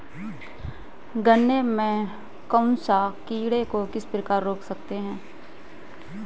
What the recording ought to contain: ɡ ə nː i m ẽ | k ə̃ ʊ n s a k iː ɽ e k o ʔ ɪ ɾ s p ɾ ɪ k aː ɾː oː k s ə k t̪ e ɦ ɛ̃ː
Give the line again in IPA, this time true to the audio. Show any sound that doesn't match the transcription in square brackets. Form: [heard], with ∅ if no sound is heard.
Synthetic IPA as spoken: ɡ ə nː [e] m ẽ | k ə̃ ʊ n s a k iː ɽ e k o [k] ɪ [∅] s p ɾ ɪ k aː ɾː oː k s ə k t̪ e ɦ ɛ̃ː

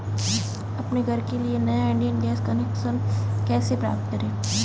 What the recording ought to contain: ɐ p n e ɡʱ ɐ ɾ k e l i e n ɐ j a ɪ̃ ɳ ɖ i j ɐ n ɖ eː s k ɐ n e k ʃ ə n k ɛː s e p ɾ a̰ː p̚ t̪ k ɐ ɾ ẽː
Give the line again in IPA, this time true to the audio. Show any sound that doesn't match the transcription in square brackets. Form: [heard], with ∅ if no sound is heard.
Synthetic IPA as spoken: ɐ p n e ɡʱ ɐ ɾ k e l i e n ɐ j a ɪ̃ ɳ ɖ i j [ə] n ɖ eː s k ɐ n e k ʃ ə n k ɛː s e p ɾ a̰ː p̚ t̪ k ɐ ɾ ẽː

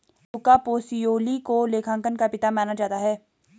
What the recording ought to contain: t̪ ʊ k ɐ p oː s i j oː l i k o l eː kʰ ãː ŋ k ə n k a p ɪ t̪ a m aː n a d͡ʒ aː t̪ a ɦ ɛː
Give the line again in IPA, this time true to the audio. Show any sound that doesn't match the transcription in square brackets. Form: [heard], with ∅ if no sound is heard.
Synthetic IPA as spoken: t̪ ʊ k [a] p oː s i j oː l i k o l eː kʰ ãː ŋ k ə n k a p ɪ t̪ a m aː n a d͡ʒ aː t̪ a ɦ ɛː

